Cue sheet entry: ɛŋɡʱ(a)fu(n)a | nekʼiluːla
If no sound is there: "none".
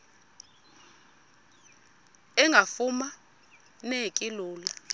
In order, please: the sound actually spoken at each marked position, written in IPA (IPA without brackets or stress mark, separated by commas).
a, m